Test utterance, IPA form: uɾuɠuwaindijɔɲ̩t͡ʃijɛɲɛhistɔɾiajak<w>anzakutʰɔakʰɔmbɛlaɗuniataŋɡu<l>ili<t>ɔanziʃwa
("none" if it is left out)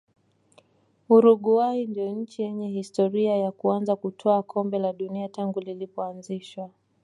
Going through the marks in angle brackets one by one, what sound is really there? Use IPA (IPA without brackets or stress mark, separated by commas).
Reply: u, l, p